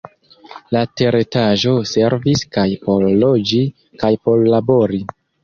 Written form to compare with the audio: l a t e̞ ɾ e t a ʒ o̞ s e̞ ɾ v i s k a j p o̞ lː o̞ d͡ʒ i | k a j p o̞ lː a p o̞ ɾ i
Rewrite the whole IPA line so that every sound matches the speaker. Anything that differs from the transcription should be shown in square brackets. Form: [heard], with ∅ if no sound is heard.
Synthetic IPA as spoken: l a t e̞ ɾ e t a ʒ o̞ s e̞ ɾ v i s k a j p o̞ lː o̞ d͡ʒ i | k a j p o̞ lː a [b] o̞ ɾ i